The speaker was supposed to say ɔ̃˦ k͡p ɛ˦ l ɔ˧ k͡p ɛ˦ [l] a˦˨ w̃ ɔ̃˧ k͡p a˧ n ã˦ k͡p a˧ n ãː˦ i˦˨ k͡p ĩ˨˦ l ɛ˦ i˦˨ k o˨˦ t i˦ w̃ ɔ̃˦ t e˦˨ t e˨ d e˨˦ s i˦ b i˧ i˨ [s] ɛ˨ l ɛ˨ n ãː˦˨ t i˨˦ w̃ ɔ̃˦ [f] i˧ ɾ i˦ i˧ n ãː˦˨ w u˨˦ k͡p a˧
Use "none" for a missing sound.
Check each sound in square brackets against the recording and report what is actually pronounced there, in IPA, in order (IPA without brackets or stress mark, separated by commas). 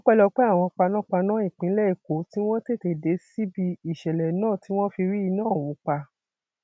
none, ʃ, f